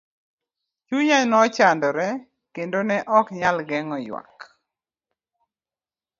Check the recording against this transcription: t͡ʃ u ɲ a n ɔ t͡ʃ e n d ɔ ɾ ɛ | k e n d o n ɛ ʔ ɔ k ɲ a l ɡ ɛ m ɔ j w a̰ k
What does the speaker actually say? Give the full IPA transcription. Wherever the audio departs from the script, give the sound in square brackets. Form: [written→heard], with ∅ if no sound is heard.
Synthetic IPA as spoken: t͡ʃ u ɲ a n ɔ t͡ʃ [e→a] n d ɔ ɾ ɛ | k e n d o n ɛ ʔ ɔ k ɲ a l ɡ ɛ [m→ŋ] ɔ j w a̰ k